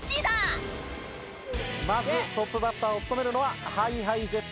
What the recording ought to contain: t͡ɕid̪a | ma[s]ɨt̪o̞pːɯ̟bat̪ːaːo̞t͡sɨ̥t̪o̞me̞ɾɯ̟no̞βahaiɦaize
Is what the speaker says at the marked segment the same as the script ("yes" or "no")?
no